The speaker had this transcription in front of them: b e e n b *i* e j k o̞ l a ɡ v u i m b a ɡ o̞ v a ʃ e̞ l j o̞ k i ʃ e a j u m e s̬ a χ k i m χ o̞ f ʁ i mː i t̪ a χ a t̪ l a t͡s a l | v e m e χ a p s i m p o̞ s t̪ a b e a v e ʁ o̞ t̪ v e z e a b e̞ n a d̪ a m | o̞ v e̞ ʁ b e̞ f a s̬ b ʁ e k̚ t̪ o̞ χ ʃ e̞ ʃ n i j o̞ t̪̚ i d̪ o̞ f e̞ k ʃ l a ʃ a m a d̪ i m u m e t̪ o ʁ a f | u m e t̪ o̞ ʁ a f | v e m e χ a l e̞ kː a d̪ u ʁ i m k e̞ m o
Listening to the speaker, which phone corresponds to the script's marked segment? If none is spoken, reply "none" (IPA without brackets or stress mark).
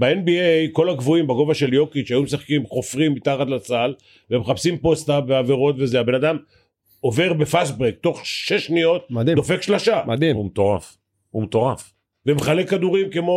i